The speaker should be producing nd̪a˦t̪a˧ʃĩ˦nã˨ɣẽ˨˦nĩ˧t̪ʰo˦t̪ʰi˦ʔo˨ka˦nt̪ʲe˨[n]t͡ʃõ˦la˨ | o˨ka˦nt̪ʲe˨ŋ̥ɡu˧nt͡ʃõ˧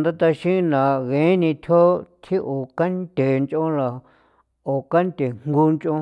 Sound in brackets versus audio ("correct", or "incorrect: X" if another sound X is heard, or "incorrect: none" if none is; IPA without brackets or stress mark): correct